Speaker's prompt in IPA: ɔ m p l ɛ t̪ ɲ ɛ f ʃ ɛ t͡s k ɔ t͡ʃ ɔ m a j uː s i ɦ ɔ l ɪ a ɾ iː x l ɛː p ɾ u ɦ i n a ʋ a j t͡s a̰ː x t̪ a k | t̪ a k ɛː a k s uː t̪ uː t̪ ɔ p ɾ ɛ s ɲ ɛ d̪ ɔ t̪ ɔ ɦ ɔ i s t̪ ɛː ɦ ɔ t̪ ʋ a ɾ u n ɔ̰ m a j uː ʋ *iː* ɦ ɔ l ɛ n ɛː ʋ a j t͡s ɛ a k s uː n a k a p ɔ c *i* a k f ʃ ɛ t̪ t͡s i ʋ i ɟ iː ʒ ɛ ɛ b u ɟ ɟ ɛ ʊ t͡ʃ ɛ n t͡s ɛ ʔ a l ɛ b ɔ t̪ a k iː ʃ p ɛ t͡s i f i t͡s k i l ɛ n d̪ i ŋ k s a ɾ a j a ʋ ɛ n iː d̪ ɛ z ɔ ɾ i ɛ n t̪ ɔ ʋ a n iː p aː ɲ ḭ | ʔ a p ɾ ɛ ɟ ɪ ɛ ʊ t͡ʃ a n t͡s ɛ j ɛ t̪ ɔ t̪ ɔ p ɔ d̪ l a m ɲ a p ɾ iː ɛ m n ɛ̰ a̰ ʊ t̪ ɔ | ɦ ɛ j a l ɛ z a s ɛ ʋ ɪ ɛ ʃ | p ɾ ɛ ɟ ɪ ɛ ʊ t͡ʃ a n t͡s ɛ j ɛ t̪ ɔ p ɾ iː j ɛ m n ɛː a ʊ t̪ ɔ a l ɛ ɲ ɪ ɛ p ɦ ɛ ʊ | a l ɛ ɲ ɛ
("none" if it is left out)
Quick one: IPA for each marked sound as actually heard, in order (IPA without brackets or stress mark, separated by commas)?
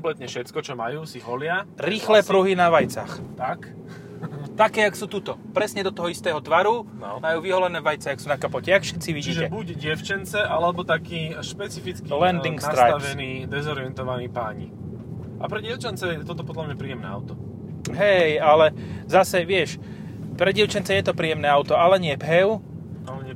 i, ɛ